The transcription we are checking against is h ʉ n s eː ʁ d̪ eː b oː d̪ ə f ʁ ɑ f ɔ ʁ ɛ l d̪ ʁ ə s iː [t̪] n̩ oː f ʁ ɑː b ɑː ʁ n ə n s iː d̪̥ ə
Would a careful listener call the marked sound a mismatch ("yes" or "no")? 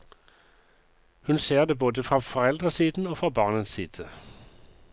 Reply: yes